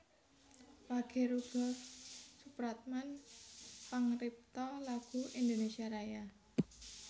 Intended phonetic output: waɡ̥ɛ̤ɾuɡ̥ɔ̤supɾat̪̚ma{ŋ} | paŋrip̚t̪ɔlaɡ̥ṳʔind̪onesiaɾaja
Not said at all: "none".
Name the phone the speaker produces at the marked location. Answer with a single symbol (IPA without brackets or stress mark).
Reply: n